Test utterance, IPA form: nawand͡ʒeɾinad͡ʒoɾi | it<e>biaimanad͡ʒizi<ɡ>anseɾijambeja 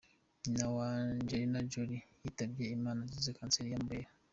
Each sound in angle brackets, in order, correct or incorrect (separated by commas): incorrect, incorrect